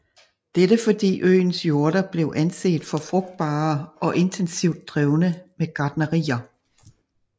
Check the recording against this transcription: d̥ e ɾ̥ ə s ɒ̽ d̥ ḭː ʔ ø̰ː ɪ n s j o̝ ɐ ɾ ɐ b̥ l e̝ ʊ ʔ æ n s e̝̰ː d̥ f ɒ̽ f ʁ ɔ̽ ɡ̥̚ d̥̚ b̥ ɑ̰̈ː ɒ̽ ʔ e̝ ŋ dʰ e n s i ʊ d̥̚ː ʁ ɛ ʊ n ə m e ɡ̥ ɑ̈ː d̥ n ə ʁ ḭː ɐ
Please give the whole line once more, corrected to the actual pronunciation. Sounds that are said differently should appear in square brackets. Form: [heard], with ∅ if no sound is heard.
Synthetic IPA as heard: d̥ e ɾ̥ ə [f] ɒ̽ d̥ ḭː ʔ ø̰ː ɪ n s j o̝ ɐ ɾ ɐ b̥ l e̝ ʊ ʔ æ n s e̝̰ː d̥ f ɒ̽ f ʁ ɔ̽ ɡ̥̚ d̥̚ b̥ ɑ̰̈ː ɒ̽ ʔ e̝ [n] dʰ e n s i ʊ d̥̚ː ʁ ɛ ʊ n ə m e ɡ̥ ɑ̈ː d̥ n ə ʁ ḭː ɐ